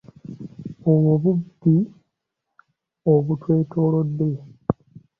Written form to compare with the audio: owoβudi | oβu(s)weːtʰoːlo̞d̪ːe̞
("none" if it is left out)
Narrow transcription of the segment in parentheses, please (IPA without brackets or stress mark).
t